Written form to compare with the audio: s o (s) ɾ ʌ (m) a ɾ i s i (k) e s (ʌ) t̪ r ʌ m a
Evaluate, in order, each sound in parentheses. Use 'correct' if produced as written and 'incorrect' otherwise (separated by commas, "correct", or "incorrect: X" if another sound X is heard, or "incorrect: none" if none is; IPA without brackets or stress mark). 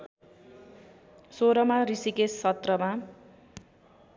incorrect: none, correct, correct, correct